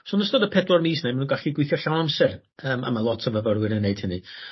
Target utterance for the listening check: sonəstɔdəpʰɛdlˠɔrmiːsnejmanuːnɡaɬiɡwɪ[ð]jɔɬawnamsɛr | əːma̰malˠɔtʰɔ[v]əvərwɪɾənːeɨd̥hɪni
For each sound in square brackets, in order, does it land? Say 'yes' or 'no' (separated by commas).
no, yes